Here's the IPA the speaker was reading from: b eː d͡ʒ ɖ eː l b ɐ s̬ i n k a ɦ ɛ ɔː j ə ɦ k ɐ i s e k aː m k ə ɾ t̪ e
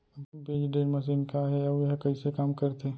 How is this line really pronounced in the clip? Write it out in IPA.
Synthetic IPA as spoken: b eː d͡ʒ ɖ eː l m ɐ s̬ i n k a ɦ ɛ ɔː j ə ɦ k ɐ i s e k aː m k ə ɾ t̪ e